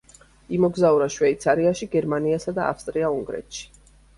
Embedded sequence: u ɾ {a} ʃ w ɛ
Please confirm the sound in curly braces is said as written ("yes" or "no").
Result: yes